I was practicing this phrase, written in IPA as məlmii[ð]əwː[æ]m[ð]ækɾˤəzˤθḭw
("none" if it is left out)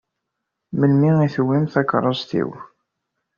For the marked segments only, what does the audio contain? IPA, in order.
θ, i, θ

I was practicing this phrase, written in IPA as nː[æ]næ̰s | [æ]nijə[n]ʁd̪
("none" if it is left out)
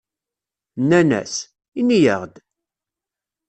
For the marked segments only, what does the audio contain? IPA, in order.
æ, i, none

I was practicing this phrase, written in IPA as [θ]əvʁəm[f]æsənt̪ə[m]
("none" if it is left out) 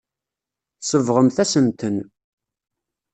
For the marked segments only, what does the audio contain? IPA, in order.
s, θ, n

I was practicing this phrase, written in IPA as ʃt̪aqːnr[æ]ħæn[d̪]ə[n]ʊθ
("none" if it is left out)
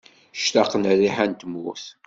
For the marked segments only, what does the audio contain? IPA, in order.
i, t̪, m

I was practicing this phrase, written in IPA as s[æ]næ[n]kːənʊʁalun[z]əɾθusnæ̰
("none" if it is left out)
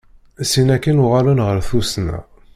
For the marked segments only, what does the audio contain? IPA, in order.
i, none, ʁ

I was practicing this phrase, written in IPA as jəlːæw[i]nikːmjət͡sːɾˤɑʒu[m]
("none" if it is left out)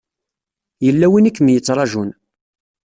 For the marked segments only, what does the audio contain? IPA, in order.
i, n

